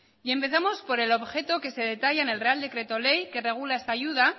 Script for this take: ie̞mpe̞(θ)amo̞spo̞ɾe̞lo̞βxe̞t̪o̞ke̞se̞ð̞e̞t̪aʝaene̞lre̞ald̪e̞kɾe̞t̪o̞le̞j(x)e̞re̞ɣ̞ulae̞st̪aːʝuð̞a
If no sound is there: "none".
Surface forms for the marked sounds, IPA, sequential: θ, k

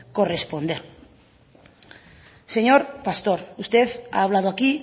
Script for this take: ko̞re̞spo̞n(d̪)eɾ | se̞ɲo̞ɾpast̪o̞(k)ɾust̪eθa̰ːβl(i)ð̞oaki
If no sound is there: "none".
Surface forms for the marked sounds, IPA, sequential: d̪, none, a

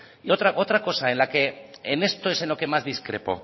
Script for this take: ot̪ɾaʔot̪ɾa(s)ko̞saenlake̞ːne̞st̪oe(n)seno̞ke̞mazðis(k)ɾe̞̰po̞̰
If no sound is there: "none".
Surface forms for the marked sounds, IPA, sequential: none, none, k

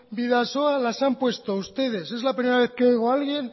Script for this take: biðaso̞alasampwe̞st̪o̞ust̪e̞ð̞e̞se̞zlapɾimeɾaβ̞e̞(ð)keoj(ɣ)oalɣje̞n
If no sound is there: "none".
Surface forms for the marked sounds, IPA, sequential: θ, ɣ

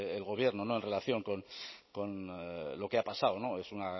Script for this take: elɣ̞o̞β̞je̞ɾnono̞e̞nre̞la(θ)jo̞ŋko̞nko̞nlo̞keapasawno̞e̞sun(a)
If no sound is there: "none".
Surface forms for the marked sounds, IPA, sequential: θ, a

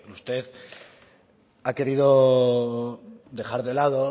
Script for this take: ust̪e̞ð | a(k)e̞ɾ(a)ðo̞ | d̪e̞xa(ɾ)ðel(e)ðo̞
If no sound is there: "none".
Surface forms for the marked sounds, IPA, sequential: k, i, ɾ, a

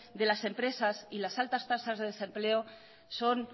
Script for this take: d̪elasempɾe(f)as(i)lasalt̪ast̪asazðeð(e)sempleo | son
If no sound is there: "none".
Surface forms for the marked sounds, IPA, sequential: s, i, e

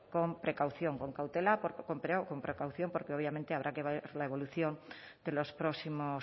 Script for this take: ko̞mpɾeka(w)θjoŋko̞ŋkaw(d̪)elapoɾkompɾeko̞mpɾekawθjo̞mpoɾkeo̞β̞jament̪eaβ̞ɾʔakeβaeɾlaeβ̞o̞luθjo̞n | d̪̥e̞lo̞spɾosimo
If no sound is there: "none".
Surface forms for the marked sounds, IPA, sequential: w, t̪

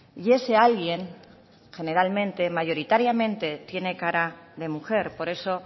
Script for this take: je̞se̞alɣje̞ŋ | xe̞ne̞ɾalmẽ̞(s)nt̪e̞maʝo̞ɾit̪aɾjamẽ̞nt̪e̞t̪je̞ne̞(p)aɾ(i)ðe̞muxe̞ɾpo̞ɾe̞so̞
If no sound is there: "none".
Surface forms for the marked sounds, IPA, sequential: none, k, a

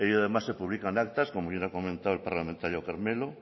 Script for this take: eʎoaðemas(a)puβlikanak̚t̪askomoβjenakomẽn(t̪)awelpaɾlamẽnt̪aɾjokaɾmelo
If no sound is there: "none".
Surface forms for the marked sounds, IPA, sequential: e, t̪

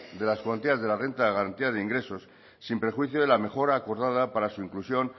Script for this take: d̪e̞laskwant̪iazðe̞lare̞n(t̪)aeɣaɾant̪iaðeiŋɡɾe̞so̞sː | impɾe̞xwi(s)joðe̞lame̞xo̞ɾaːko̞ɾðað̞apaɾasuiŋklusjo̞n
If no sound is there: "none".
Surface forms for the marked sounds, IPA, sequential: t̪, θ

